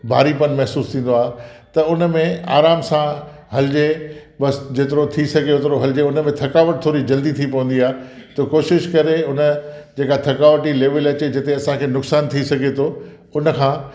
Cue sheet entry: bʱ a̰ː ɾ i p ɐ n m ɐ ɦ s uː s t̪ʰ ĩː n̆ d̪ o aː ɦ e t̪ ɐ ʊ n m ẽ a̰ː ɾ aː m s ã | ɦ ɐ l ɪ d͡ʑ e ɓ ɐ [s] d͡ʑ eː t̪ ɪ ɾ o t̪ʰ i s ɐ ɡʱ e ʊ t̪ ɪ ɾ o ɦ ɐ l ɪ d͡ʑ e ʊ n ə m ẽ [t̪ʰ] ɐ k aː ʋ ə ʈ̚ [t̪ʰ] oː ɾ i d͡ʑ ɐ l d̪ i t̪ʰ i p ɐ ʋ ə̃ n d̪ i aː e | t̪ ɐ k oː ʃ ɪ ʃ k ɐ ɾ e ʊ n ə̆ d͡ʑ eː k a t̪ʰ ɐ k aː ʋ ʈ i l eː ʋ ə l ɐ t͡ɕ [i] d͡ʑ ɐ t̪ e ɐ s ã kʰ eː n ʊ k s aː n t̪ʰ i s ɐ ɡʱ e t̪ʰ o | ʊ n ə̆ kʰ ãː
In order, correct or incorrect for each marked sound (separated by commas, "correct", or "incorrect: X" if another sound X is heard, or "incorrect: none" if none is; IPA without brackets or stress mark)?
correct, correct, correct, incorrect: e